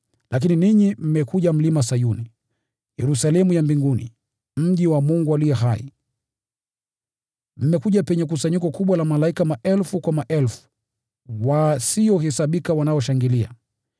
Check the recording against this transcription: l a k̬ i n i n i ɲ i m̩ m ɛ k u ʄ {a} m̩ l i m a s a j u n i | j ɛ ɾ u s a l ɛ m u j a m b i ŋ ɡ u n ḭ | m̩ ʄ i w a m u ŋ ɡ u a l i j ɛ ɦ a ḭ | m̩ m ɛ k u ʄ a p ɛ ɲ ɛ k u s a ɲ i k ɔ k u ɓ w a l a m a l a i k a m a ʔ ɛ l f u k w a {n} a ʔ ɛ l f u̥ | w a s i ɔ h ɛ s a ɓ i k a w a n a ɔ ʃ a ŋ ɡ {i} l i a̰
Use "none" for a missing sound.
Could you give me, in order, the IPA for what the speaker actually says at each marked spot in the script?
a, m, i

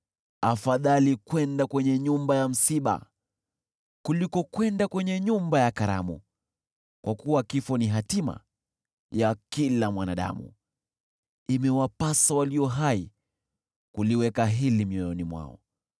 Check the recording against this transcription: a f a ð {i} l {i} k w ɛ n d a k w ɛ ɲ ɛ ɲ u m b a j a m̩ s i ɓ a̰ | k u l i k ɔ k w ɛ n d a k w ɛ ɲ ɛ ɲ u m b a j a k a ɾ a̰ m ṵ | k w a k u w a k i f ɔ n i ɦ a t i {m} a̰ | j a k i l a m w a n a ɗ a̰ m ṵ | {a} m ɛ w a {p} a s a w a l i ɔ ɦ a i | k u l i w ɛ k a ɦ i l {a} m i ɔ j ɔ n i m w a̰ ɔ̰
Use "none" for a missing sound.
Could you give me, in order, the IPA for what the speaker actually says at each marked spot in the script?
a, i, m, i, p, i

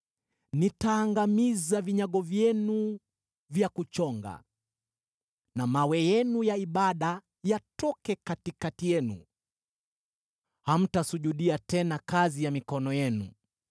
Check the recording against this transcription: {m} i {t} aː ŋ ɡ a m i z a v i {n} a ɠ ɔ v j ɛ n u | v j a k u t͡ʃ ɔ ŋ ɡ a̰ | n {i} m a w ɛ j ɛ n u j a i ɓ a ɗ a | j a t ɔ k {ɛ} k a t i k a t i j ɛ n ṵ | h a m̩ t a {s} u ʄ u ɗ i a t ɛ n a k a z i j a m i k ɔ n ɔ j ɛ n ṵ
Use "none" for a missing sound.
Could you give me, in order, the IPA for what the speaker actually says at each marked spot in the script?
n, t, ɲ, a, ɛ, s

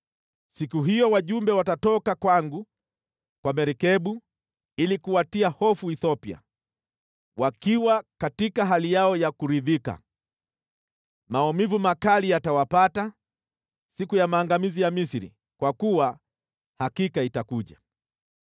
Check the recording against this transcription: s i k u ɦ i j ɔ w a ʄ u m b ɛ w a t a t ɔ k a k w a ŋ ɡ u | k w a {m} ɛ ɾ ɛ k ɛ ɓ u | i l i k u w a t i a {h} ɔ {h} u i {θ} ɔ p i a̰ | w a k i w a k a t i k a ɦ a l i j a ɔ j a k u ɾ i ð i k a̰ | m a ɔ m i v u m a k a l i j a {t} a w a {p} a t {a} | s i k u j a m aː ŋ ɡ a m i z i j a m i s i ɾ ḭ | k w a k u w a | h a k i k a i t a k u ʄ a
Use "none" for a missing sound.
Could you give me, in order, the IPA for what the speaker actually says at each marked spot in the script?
m, h, f, θ, t, p, a

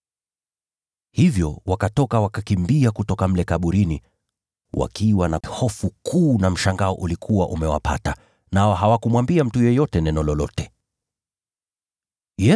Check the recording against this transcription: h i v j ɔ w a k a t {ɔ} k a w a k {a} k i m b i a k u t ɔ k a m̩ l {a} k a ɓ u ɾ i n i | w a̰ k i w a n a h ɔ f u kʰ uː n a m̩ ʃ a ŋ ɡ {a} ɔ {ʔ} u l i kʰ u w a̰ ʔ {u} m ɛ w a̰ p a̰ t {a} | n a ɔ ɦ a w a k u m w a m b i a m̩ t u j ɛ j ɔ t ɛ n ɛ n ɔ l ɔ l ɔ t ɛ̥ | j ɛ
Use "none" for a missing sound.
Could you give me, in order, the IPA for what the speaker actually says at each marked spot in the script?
ɔ, a, ɛ, a, ʔ, u, a

